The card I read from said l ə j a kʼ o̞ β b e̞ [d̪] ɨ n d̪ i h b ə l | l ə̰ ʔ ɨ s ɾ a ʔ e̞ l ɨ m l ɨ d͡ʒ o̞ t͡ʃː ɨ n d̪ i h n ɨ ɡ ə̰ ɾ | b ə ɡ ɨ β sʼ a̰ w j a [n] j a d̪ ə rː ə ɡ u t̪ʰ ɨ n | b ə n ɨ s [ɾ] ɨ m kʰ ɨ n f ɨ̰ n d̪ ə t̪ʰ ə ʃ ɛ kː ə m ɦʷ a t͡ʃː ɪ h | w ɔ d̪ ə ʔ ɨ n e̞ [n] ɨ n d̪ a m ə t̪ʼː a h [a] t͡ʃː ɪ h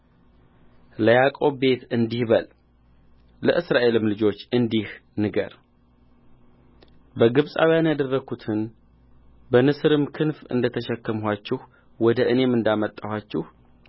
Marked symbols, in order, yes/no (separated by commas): no, yes, yes, no, yes